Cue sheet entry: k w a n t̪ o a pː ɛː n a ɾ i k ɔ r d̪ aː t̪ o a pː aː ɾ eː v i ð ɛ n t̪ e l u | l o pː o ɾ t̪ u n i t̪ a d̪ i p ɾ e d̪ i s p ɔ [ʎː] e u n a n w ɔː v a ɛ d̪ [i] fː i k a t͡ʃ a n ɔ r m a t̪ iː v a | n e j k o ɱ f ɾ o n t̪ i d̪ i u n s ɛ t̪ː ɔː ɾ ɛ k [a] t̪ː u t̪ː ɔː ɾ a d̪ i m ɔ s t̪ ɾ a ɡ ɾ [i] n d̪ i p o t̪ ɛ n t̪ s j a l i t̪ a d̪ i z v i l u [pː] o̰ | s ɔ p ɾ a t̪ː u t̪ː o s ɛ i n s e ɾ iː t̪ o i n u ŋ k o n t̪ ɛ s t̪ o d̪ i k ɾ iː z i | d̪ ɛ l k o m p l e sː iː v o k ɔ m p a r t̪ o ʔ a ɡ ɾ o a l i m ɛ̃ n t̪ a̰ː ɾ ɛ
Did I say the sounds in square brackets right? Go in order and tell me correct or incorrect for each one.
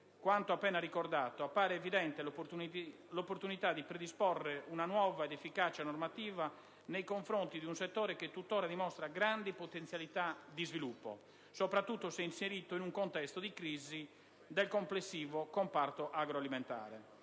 incorrect: rː, incorrect: e, incorrect: e, incorrect: a, correct

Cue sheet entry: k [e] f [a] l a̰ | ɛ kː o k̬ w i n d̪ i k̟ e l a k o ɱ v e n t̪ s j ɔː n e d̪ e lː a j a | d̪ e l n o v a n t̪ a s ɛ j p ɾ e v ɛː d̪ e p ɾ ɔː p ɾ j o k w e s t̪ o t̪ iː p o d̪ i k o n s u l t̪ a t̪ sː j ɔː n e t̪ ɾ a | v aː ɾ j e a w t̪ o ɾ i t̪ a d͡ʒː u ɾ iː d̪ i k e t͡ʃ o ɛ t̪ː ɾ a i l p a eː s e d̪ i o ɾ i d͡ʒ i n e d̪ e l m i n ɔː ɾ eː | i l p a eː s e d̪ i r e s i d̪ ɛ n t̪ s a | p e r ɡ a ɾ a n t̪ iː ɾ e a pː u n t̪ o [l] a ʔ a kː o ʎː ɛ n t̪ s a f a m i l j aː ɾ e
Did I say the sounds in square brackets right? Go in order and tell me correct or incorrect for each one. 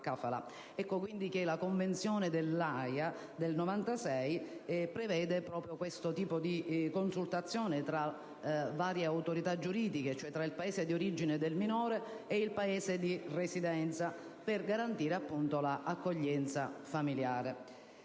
incorrect: a, correct, correct

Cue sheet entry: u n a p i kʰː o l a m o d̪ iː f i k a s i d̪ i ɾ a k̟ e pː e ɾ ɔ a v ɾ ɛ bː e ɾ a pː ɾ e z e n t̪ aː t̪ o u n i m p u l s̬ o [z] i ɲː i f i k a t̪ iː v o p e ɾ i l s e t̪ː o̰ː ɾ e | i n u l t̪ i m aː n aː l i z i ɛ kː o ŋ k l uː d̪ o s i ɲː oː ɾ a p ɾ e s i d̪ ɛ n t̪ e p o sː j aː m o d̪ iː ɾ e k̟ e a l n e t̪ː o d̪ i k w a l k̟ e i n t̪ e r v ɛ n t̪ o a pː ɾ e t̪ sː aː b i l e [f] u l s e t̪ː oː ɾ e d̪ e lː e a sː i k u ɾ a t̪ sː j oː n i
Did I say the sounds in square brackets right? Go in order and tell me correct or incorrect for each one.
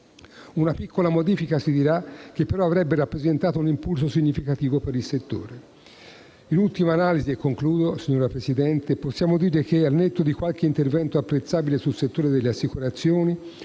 incorrect: s, incorrect: s

